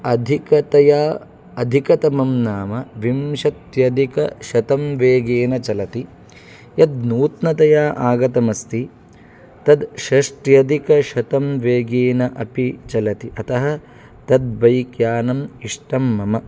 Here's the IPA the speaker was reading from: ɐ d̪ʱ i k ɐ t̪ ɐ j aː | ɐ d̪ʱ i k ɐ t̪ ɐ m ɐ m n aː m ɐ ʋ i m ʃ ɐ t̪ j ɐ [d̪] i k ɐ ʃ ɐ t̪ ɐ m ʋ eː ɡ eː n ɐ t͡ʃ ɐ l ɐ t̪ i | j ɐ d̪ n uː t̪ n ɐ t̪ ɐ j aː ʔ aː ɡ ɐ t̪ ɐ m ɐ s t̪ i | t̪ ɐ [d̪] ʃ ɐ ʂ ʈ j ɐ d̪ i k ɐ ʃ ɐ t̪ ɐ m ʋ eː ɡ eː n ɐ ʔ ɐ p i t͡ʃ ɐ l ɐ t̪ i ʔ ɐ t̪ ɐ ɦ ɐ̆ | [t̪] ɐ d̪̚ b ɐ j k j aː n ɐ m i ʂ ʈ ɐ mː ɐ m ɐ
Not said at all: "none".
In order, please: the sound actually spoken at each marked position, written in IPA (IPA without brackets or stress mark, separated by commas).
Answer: d̪, d̪, t̪